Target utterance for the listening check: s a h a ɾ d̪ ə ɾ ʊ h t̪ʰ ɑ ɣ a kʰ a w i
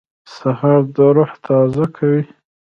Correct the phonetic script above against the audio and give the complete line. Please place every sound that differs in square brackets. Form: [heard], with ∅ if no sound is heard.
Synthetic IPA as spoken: s a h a ɾ d̪ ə ɾ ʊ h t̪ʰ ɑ [z] a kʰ a w i